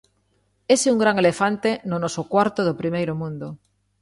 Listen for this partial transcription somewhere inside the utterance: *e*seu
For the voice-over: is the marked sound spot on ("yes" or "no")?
yes